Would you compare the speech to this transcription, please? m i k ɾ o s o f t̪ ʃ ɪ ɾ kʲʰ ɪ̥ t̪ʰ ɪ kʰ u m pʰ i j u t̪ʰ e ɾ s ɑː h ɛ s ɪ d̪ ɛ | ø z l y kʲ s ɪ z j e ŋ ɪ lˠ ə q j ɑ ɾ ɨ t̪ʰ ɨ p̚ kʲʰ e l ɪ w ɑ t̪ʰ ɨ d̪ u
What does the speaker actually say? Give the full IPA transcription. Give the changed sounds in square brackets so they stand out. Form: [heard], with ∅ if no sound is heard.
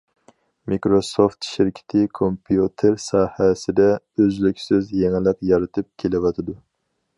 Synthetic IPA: m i k ɾ o s o f t̪ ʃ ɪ ɾ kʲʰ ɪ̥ t̪ʰ ɪ kʰ [o] m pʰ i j u t̪ʰ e ɾ s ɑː h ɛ s ɪ d̪ ɛ | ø z l y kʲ s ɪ z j e ŋ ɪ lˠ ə q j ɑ ɾ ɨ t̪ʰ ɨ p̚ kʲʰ e l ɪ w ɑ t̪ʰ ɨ d̪ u